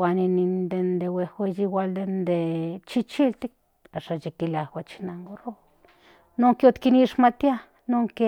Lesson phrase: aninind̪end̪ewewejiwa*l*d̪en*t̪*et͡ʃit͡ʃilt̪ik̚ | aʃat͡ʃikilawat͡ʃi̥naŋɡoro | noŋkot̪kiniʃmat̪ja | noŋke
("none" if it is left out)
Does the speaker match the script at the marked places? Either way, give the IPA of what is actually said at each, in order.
l, d̪

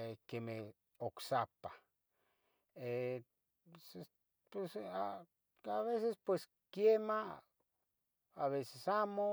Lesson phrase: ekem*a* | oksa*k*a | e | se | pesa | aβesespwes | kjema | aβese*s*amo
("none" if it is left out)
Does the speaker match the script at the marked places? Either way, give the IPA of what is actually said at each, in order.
e, p, s

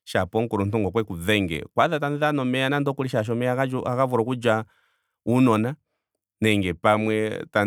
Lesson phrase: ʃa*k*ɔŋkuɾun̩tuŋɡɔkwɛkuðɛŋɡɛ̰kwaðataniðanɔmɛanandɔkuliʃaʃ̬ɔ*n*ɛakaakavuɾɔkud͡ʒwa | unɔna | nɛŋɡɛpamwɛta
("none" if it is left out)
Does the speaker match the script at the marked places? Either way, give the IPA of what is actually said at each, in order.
p, m

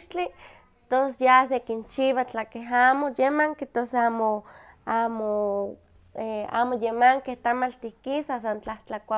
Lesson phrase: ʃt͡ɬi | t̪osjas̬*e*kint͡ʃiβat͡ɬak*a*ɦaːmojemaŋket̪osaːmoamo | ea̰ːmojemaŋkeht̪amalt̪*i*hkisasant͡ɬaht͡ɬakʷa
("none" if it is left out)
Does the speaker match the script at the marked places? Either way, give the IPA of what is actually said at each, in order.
e, e, i

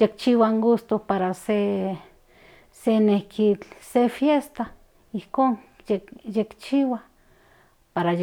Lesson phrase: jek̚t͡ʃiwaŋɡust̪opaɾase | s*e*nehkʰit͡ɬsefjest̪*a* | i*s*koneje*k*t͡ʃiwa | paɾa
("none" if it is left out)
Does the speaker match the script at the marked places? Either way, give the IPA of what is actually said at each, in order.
e, a, h, k

